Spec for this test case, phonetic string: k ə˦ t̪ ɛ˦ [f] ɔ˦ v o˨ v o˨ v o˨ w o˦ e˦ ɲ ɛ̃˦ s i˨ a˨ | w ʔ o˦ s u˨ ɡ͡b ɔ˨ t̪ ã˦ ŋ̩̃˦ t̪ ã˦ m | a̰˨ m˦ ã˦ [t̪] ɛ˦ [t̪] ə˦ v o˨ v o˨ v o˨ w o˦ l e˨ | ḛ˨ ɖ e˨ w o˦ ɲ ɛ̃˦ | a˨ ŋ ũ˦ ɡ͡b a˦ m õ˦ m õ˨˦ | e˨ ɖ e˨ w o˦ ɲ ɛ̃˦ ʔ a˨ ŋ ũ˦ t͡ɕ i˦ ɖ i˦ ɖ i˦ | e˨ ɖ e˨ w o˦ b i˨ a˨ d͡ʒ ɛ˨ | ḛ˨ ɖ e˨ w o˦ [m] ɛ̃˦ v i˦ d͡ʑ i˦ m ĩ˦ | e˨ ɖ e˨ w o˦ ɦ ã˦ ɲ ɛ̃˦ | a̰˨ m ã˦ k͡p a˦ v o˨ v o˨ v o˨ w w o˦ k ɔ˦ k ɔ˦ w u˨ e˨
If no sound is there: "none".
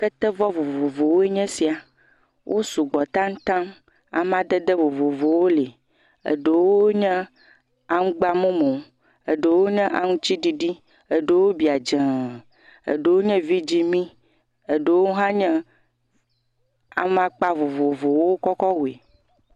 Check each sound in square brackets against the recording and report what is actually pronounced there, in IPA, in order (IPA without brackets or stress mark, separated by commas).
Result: v, d̪, d̪, ɲ